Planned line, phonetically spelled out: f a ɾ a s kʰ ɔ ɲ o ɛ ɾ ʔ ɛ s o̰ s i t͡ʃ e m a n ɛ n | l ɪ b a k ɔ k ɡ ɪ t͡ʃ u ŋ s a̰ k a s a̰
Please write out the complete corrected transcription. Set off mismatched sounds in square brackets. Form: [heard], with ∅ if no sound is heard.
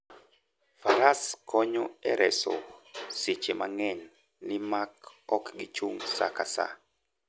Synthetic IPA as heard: f a ɾ a s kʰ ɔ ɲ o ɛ ɾ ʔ ɛ s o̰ s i t͡ʃ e m a [ŋ] ɛ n | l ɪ [m] a k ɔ k ɡ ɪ t͡ʃ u ŋ s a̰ k a s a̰